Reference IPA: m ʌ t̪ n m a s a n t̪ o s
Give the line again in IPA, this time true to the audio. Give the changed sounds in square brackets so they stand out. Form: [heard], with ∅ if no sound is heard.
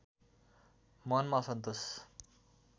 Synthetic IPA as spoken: m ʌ [∅] n m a s [ʌ] n t̪ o s